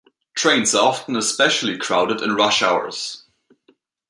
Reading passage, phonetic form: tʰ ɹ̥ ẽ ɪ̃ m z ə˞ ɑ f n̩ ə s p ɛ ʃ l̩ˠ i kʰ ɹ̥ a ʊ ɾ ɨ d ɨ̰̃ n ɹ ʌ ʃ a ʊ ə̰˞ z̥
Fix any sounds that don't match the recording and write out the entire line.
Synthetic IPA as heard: tʰ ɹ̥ ẽ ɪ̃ n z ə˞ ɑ f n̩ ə s p ɛ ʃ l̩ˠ i kʰ ɹ̥ a ʊ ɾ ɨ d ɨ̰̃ n ɹ ʌ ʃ a ʊ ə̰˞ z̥

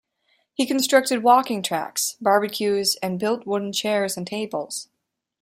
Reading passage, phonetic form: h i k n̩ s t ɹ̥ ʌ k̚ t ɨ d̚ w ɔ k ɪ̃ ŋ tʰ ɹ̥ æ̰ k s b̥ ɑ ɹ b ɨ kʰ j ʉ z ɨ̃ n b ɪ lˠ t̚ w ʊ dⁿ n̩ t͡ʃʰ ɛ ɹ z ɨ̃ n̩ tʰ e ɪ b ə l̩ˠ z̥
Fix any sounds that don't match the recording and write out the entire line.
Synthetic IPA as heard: h i k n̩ s t ɹ̥ ʌ k̚ t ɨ d̚ w ɔ k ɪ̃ ŋ tʰ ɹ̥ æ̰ k s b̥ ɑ ɹ b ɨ kʰ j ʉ z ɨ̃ n b ɪ lˠ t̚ w ʊ dⁿ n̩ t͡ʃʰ ɛ ɹ z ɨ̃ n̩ tʰ e ɪ b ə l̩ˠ z̥

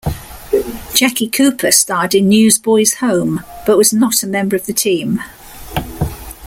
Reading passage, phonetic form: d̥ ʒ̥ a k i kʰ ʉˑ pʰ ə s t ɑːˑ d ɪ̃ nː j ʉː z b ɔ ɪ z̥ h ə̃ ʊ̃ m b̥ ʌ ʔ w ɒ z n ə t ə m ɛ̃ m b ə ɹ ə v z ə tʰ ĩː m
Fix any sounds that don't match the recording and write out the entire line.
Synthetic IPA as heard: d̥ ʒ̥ a k i kʰ ʉˑ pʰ ə s t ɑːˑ d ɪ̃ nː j ʉː z b ɔ ɪ z̥ h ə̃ ʊ̃ m b̥ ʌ ʔ w ɒ z n ə t ə m ɛ̃ m b ə ɹ ə v ð ə tʰ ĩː m

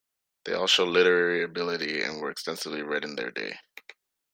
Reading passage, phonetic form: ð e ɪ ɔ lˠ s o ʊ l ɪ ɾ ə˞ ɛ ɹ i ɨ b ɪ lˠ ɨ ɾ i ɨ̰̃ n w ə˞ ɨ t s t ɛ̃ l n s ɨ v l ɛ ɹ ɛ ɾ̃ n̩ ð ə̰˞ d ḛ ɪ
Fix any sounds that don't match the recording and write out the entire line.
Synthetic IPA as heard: ð e ɪ ɔ lˠ ʃ o ʊ l ɪ ɾ ə˞ ɛ ɹ i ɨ b ɪ lˠ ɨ ɾ i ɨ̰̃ n w ə˞ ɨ k s t ɛ̃ n s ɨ v l i ɹ ɛ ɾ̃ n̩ ð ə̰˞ d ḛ ɪ

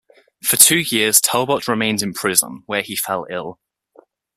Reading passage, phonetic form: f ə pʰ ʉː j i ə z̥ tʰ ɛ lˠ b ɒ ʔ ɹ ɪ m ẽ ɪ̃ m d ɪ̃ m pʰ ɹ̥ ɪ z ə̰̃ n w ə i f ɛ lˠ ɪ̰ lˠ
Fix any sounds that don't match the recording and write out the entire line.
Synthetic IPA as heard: f ə tʰ ʉː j ɪ ə z̥ tʰ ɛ lˠ b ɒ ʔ ɹ ɪ m ẽ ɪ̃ n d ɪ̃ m pʰ ɹ̥ ɪ z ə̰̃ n w ə i f ɛ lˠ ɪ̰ lˠ

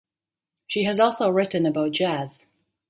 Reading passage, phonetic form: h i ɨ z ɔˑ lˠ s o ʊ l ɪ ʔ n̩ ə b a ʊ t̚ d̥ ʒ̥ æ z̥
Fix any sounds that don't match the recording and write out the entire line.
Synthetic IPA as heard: ʃ i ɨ z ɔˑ lˠ s o ʊ ɹ ɪ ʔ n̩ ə b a ʊ t̚ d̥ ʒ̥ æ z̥

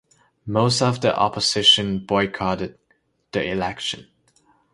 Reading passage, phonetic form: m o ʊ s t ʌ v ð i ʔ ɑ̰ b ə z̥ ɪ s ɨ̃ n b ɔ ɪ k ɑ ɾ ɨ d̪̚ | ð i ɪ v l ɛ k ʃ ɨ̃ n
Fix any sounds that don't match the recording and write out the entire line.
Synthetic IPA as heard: m o ʊ s t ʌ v ð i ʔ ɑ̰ p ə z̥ ɪ ʃ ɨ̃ n b ɔ ɪ kʰ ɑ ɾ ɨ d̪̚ | ð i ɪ l ɛ k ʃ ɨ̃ n

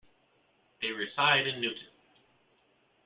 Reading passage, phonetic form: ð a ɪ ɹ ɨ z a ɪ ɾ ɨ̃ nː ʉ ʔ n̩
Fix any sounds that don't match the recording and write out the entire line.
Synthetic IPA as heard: ð e ɪ ɹ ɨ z a ɪ ɾ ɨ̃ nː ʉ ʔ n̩

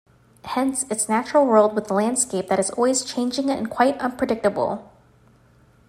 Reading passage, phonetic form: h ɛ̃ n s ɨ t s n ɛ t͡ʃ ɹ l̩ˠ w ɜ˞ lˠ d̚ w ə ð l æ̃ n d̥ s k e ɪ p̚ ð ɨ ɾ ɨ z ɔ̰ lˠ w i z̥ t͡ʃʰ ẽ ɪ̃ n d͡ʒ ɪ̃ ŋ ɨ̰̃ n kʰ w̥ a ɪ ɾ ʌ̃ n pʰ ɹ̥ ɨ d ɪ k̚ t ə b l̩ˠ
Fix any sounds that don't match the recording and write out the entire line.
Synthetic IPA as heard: h ɛ̃ n s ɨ t s n æ t͡ʃ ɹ l̩ˠ w ɜ˞ lˠ d̚ w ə ð l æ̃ n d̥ s k e ɪ p̚ ð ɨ ɾ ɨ z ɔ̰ lˠ w i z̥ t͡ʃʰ ẽ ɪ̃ n d͡ʒ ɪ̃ ŋ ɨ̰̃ n kʰ w̥ a ɪ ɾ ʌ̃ n pʰ ɹ̥ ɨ d ɪ k̚ t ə b l̩ˠ

